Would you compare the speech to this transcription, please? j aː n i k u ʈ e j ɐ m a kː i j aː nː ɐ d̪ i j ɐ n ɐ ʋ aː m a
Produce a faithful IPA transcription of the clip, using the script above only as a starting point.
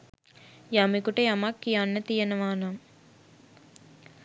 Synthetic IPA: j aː m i k u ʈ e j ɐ m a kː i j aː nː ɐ t̪ i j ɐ n ɐ ʋ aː n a